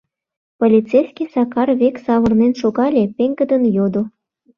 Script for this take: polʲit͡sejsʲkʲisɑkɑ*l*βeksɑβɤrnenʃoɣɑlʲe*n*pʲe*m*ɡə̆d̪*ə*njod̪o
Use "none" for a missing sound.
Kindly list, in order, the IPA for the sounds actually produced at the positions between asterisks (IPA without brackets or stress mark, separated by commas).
r, none, ŋ, ə